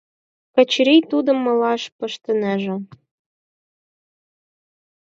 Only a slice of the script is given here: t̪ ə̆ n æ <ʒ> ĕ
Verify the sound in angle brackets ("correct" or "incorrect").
correct